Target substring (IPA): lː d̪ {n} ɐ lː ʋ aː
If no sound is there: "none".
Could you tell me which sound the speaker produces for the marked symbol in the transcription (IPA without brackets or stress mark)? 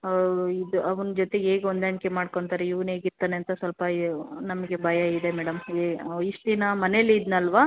n